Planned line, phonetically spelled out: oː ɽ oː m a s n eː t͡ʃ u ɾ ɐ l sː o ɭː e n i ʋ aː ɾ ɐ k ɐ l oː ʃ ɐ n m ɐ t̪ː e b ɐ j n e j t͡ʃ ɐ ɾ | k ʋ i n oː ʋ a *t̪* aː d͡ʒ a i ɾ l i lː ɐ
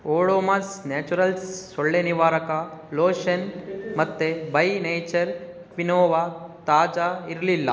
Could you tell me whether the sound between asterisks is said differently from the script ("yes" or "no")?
no